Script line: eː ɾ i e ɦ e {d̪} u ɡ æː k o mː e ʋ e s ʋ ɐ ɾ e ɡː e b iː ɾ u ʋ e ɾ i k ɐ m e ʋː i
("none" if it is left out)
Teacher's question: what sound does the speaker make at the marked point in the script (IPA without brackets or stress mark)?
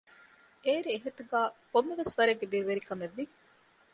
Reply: t̪